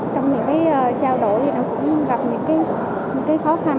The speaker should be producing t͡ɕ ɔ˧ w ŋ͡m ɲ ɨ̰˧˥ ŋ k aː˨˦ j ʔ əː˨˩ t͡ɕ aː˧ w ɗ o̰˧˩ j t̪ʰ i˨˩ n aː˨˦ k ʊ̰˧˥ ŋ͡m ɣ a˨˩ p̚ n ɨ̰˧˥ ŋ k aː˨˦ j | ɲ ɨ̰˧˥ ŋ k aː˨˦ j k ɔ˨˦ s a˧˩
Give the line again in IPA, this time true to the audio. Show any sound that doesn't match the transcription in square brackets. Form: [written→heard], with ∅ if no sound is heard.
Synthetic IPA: t͡ɕ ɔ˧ w ŋ͡m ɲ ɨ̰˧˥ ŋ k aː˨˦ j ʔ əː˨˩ t͡ɕ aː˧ w ɗ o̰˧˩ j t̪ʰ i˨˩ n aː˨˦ k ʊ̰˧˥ ŋ͡m ɣ a˨˩ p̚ [n→ɲ] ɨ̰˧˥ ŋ k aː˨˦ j | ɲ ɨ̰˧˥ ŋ k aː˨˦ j [k→x] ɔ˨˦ [s→x] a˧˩